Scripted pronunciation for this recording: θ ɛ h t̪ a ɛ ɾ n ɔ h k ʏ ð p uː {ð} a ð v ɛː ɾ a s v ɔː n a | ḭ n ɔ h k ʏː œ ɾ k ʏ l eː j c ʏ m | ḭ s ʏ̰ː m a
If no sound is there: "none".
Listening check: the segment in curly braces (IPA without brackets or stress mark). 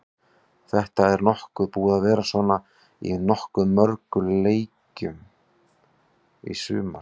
ð